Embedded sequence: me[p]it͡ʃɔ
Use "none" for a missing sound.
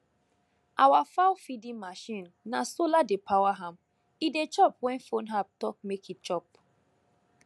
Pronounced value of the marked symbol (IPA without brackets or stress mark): k